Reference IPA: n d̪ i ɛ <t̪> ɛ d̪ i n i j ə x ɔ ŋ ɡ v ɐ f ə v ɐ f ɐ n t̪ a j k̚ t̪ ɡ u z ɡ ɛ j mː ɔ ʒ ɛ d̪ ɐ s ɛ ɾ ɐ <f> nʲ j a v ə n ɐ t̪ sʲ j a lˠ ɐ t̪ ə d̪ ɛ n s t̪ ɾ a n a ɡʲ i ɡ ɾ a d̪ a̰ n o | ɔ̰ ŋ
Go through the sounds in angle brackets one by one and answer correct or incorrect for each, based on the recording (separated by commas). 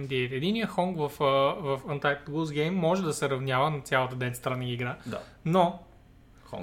correct, incorrect